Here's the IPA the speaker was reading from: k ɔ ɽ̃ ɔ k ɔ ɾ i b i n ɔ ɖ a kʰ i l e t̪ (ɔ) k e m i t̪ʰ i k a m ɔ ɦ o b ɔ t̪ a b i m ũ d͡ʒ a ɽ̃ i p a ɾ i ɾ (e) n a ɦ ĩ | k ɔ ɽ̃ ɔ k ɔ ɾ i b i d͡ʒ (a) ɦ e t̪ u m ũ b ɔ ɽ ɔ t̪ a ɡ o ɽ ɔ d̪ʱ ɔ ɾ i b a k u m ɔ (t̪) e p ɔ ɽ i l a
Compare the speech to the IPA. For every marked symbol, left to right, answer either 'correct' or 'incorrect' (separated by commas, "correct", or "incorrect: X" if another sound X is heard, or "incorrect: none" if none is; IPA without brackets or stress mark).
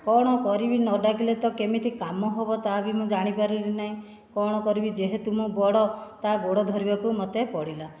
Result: correct, incorrect: i, incorrect: e, correct